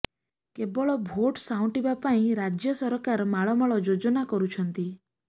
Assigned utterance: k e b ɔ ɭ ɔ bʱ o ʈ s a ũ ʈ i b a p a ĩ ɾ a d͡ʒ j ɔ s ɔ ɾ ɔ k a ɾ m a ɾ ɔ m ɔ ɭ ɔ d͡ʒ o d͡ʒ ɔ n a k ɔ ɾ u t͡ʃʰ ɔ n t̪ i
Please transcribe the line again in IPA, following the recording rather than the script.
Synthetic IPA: k e b ɔ ɭ ɔ bʱ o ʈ s a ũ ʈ i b a p a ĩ ɾ a d͡ʒ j ɔ s ɔ ɾ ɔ k a ɾ m a ɭ ɔ m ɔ ɭ ɔ d͡ʒ o d͡ʒ ɔ n a k ɔ ɾ u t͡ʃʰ ɔ n t̪ i